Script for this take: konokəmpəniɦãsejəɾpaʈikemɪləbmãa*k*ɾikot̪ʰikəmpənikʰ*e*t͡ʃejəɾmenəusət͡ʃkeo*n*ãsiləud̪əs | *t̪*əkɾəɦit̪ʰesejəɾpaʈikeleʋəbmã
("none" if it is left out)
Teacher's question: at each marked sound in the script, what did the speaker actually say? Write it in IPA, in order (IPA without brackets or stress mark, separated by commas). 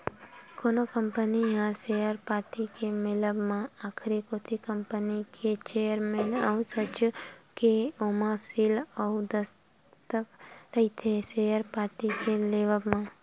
kʰ, e, m, t̪